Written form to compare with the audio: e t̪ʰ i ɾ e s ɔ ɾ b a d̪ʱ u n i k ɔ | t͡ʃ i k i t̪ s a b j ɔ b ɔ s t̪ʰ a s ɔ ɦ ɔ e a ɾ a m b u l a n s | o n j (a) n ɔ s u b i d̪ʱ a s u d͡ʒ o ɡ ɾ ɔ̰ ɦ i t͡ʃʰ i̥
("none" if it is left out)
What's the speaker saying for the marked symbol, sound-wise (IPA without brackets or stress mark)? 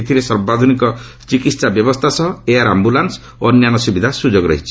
a